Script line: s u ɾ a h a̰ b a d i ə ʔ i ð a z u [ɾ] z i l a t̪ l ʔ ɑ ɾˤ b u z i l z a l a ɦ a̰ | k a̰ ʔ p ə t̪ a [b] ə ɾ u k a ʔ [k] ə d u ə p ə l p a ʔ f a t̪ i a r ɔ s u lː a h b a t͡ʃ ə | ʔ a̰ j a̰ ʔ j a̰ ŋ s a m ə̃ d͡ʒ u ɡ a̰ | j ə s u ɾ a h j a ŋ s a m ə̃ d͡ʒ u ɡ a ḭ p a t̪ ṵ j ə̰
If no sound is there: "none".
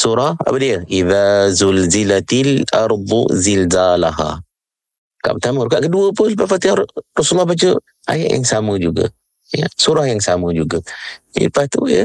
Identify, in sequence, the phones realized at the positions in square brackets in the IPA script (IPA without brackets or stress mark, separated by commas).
l, m, k